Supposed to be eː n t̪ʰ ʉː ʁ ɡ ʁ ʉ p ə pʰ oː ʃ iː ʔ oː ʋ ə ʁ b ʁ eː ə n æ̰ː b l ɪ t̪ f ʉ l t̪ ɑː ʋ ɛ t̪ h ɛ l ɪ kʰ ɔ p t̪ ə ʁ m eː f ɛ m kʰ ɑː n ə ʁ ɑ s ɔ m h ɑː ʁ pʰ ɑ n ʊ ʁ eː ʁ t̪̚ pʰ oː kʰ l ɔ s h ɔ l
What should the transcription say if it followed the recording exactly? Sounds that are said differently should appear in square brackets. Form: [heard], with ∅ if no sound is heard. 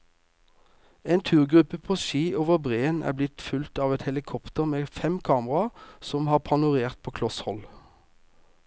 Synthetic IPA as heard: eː n t̪ʰ ʉː ʁ ɡ ʁ ʉ p ə pʰ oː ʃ iː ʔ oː ʋ ə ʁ b ʁ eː ə n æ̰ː b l ɪ t̪ f ʉ l t̪ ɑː ʋ ɛ t̪ h ɛ l ɪ kʰ ɔ p t̪ ə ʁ m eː f ɛ m kʰ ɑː [m] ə ʁ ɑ s ɔ m h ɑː ʁ pʰ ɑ n ʊ ʁ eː ʁ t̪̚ pʰ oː kʰ l ɔ s h ɔ l

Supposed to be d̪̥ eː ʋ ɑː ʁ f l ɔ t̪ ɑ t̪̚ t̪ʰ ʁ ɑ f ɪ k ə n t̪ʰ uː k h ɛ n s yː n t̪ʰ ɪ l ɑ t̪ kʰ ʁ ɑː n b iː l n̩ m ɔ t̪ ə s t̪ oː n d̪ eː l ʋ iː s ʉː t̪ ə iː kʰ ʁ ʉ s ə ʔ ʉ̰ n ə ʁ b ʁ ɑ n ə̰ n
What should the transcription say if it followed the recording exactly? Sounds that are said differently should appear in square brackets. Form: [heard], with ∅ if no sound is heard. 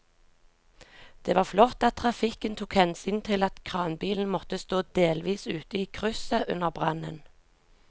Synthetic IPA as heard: d̪̥ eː ʋ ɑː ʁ f l ɔ t̪ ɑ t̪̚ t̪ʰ ʁ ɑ f ɪ k ə n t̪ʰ uː k h ɛ n s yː n t̪ʰ ɪ l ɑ t̪ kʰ ʁ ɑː n b iː l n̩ m ɔ t̪ ə s t̪ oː [∅] d̪ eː l ʋ iː s ʉː t̪ ə iː kʰ ʁ ʉ s ə ʔ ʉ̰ n ə ʁ b ʁ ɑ n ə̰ n

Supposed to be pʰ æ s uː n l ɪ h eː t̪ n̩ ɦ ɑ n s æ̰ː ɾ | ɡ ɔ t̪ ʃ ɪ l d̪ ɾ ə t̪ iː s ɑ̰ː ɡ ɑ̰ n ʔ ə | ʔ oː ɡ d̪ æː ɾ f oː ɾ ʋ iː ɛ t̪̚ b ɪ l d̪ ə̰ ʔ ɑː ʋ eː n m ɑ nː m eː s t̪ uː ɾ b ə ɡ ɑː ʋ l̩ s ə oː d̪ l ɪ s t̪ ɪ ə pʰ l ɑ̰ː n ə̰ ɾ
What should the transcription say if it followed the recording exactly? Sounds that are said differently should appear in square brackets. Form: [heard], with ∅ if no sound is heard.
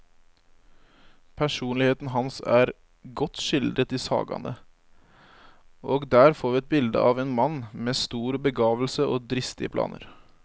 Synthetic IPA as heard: pʰ æ [ʂ] uː n l ɪ h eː t̪ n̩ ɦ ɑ n s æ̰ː ɾ | ɡ ɔ t̪ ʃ ɪ l d̪ ɾ ə t̪ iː s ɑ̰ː ɡ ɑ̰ n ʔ ə | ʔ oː ɡ d̪ æː ɾ f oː ɾ ʋ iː ɛ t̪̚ b ɪ l d̪ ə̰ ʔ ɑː ʋ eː n m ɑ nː m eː s t̪ uː ɾ b ə ɡ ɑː ʋ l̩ s ə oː d̪ [ɾ] ɪ s t̪ ɪ ə pʰ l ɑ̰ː n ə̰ ɾ

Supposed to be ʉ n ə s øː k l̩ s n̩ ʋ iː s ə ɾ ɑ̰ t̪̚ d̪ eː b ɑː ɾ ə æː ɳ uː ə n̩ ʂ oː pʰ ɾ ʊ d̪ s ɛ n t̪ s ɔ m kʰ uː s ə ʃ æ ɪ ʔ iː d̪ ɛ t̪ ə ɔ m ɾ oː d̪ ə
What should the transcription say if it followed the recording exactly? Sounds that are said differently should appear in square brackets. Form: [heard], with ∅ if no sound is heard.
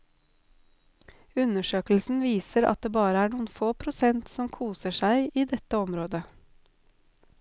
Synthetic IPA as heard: ʉ n ə [ʃ] øː k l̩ s n̩ ʋ iː s ə ɾ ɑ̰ t̪̚ d̪ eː b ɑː ɾ ə æː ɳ uː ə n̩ [f] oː pʰ ɾ ʊ [∅] s ɛ n t̪ s ɔ m kʰ uː s ə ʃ æ ɪ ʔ iː d̪ ɛ t̪ ə ɔ m ɾ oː d̪ ə

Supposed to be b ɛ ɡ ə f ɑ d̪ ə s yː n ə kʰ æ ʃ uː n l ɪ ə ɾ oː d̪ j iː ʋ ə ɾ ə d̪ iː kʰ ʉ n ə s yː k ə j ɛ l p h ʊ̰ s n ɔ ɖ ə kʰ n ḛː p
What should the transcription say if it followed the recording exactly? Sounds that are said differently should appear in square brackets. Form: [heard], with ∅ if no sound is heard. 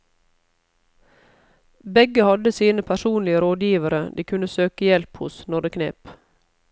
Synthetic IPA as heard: b ɛ ɡ ə [h] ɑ d̪ ə s [iː] n ə [pʰ] æ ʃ uː n l ɪ ə ɾ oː d̪ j iː ʋ ə ɾ ə d̪ iː kʰ ʉ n ə s [øː] k ə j ɛ l p h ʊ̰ s n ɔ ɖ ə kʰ n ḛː p

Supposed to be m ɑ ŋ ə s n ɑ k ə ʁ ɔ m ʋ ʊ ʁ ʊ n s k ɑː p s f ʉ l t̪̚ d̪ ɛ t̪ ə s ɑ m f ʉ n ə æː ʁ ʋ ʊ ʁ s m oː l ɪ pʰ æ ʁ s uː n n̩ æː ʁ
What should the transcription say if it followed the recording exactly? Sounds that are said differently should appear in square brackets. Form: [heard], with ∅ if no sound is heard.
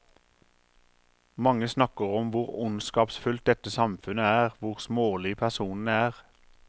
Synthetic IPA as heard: m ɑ ŋ ə s n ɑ k ə ʁ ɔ m ʋ ʊ ʁ ʊ n s k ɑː p s f ʉ l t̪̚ d̪ ɛ t̪ ə s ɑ m f ʉ n ə æː ʁ ʋ ʊ ʁ s m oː l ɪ pʰ æ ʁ s uː n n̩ æː ʁ

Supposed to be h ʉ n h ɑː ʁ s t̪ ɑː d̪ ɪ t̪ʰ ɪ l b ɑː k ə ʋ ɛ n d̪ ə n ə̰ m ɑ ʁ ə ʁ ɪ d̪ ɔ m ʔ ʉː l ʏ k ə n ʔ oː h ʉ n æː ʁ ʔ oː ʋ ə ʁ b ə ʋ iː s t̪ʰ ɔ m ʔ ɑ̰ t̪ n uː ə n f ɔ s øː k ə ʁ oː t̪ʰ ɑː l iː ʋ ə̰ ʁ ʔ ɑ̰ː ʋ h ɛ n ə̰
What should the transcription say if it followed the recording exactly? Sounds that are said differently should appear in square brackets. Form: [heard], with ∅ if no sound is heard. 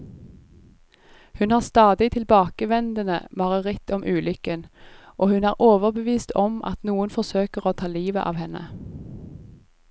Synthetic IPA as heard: h ʉ n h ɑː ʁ s t̪ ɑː d̪ ɪ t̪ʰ ɪ l b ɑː k ə ʋ ɛ n d̪ ə n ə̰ m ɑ ʁ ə ʁ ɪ [t̪] ɔ m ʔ ʉː l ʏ k ə n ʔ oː h ʉ n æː ʁ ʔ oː ʋ ə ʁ b ə ʋ iː s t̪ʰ ɔ m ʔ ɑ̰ t̪ n uː ə n f ɔ s øː k ə ʁ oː t̪ʰ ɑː l iː ʋ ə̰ [∅] ʔ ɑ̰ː ʋ h ɛ n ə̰

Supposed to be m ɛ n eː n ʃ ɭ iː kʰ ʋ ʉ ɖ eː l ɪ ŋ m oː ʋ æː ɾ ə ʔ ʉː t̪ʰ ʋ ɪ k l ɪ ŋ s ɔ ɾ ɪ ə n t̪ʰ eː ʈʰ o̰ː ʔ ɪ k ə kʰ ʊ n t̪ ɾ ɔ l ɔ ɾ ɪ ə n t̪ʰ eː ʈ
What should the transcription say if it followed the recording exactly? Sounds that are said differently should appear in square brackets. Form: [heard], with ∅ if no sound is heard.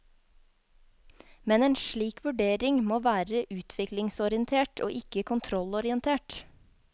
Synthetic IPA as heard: m ɛ n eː n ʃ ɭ iː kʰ ʋ ʉ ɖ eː [ɾ] ɪ ŋ m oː ʋ æː ɾ ə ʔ ʉː t̪ʰ ʋ ɪ k l ɪ ŋ s ɔ ɾ ɪ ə n t̪ʰ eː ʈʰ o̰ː ʔ ɪ k ə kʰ ʊ n [t̪ʰ] ɾ ɔ l ɔ ɾ ɪ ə n t̪ʰ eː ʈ

